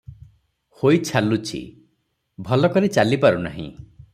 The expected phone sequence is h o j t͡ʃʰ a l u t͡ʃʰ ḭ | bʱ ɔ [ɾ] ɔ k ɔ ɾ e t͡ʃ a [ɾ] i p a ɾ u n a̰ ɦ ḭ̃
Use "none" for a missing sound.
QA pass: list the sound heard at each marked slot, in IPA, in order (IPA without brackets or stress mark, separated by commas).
l, l